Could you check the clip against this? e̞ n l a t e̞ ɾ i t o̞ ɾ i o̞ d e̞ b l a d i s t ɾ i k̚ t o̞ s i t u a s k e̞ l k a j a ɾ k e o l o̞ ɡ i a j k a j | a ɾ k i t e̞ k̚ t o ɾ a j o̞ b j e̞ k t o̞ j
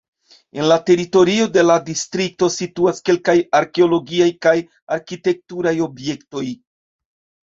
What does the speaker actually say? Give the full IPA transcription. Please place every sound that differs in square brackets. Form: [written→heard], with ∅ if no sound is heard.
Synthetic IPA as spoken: e̞ n l a t e̞ ɾ i t o̞ ɾ i o̞ d e̞ [b→∅] l a d i s t ɾ i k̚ t o̞ s i t u a s k e̞ l k a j a ɾ k e o l o̞ ɡ i a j k a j | a ɾ k i t e̞ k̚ t [o→u] ɾ a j o̞ b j e̞ k t o̞ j